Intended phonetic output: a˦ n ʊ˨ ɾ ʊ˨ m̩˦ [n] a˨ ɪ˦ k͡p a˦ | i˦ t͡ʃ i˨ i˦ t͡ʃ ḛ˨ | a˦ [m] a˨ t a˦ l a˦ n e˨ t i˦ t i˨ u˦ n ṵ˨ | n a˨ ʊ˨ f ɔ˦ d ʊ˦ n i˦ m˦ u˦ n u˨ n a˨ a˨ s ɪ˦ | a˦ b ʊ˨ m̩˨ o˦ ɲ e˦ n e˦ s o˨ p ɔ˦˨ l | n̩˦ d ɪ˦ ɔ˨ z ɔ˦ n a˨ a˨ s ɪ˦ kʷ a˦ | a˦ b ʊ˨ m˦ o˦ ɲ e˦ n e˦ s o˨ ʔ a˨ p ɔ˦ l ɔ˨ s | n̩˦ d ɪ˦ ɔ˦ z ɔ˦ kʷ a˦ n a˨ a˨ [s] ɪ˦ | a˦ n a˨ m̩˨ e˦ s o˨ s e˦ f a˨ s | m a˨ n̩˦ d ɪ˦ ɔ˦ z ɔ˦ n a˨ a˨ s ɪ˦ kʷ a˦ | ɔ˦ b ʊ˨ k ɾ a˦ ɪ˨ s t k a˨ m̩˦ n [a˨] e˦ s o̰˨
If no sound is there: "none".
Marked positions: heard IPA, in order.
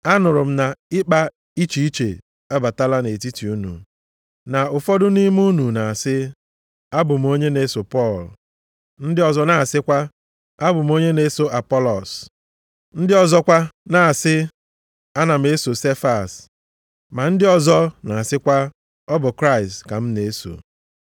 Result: n, b, s, e˨

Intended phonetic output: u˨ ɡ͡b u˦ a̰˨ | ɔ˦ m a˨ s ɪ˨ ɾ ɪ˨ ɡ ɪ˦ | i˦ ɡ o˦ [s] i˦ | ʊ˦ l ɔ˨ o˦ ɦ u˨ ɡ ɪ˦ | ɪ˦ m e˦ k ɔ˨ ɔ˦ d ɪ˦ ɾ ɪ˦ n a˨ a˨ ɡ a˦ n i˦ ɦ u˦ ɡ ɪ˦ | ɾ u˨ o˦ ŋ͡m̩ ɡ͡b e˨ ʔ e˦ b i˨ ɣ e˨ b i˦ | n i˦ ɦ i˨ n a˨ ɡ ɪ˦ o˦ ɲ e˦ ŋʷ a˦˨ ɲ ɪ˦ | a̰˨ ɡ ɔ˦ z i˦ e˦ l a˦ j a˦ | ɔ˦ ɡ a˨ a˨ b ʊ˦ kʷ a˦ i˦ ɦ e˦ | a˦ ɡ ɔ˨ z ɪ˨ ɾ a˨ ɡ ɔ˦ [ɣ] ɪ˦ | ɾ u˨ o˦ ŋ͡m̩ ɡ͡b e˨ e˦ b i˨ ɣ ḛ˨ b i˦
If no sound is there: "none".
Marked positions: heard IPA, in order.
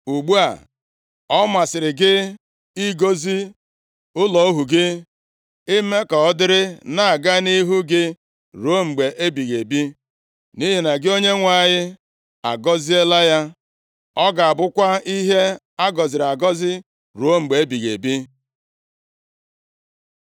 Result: z, z

